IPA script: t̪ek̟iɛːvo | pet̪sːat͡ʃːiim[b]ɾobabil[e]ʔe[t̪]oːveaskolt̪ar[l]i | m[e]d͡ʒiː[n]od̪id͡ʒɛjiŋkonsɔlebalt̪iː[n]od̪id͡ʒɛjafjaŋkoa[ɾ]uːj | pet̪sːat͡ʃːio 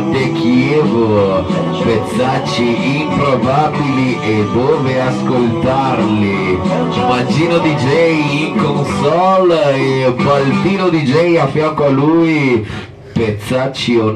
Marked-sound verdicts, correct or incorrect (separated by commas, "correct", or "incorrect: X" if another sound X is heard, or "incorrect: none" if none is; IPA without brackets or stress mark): incorrect: p, incorrect: i, incorrect: d̪, correct, incorrect: a, correct, correct, incorrect: l